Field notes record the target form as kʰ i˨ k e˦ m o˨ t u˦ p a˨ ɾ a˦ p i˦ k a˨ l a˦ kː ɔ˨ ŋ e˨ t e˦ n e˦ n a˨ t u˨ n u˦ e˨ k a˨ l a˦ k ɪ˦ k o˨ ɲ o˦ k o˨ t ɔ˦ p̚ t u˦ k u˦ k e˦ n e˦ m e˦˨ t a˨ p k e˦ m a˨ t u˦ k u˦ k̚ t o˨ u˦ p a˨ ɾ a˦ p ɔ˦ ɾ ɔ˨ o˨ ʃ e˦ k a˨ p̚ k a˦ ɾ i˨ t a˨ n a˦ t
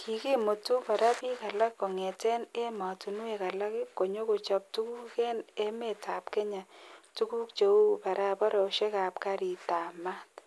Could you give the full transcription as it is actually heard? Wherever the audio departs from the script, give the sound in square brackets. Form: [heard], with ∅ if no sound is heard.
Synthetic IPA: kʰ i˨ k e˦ m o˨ t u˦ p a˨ ɾ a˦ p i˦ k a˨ l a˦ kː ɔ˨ ŋ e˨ t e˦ n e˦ [m] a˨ t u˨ n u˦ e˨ k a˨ l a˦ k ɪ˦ k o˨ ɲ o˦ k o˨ [t͡ʃ] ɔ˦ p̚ t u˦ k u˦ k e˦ n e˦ m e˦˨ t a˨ p k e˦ [ɲ] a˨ t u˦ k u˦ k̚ [t͡ʃ] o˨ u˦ p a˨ ɾ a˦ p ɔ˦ ɾ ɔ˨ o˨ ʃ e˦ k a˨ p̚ k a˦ ɾ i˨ t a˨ [m] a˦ t